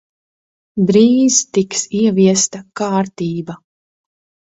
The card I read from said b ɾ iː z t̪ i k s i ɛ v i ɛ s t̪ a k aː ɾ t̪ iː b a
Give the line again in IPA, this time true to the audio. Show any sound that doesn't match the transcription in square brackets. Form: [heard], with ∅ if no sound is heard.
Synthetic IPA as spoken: b ɾ iː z t̪ i k s i ɛ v i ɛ s t̪ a k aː ɾ t̪ iː b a